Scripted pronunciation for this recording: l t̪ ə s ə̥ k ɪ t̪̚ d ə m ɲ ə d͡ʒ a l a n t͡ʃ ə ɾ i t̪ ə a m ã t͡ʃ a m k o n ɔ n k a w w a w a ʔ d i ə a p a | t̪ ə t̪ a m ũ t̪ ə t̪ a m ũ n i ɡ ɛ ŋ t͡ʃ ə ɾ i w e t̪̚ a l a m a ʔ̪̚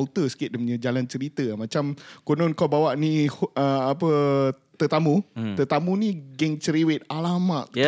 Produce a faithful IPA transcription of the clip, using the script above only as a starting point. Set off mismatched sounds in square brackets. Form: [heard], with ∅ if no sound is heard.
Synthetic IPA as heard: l t̪ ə s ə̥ k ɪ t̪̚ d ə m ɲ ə d͡ʒ a l a n t͡ʃ ə ɾ i t̪ ə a m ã t͡ʃ a m k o n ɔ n k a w [b] a w a ʔ [n] i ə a p [ə] | t̪ ə t̪ a m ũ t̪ ə t̪ a m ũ n i ɡ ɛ ŋ t͡ʃ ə ɾ i w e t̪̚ a l a m a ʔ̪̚